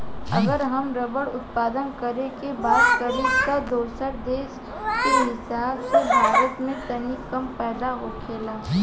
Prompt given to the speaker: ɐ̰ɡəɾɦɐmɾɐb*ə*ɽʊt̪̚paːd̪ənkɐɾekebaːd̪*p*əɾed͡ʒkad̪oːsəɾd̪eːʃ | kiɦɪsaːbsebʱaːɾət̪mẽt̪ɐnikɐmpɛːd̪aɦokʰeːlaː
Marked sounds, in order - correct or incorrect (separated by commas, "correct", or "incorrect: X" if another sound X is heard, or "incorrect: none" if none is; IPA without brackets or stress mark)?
correct, incorrect: k